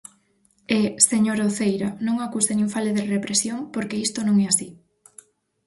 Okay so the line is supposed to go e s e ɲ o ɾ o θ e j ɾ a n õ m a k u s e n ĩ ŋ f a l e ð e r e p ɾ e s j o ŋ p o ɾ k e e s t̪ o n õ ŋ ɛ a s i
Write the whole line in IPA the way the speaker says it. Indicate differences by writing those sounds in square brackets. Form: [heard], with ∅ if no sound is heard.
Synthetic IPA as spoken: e s e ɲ o ɾ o θ e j ɾ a n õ [ŋ] a k u s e n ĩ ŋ f a l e ð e r e p ɾ e s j o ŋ p o ɾ k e [i] s t̪ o n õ ŋ ɛ a s i